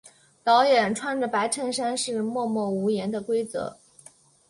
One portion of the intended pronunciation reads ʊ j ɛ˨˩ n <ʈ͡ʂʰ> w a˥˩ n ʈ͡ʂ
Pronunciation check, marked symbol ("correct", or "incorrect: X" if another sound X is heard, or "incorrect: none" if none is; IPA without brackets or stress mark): correct